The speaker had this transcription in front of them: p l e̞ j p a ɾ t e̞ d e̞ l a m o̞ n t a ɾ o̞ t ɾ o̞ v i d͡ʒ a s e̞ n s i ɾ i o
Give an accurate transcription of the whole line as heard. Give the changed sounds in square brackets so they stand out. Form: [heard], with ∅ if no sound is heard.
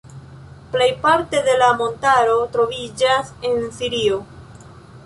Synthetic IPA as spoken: p l e̞ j p a ɾ t e̞ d e̞ l a m o̞ n t a ɾ o̞ t ɾ o̞ v i d͡ʒ a s e̞ n s i ɾ i o